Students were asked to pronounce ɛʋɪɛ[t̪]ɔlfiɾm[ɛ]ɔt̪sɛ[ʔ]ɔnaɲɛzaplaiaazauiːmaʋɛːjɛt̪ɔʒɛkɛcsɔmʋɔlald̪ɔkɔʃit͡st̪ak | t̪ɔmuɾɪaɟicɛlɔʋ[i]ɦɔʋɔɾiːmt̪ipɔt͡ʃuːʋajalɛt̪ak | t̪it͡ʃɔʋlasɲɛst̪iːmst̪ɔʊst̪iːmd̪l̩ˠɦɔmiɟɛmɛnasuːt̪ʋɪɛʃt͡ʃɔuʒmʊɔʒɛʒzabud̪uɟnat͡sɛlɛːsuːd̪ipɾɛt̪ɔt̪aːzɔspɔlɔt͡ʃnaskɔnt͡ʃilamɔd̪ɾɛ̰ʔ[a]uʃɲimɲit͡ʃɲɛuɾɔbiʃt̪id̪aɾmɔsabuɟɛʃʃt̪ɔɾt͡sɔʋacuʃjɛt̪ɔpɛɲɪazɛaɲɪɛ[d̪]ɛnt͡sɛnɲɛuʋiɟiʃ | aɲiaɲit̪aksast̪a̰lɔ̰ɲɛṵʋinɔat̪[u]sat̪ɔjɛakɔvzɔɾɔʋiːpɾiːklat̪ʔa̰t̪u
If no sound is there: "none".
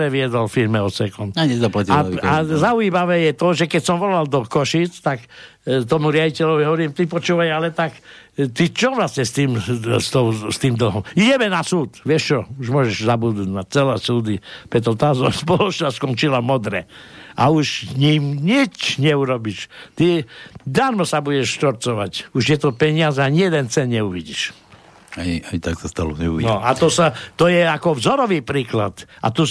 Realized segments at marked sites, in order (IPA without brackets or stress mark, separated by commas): d̪, ɛ, k, i, a, d̪, ɔ